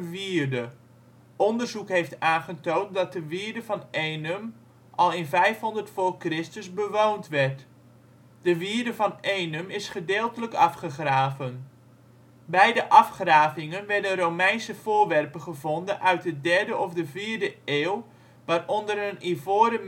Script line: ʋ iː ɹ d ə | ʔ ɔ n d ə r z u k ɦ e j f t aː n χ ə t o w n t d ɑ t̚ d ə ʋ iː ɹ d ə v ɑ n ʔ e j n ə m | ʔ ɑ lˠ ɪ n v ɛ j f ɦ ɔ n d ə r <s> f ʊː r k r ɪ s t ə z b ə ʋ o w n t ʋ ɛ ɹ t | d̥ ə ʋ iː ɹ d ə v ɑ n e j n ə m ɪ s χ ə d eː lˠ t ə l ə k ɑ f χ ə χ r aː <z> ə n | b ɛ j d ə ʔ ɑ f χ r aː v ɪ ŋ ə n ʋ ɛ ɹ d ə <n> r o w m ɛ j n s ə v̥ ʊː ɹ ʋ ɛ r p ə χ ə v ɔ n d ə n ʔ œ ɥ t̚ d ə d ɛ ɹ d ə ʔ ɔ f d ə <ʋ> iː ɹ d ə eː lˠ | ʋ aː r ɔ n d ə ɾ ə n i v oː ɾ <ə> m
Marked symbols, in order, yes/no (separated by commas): no, no, yes, no, yes